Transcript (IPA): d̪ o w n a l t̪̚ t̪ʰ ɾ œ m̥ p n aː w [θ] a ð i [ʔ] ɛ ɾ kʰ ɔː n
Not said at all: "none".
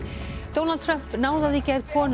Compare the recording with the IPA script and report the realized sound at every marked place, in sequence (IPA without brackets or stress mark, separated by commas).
ð, c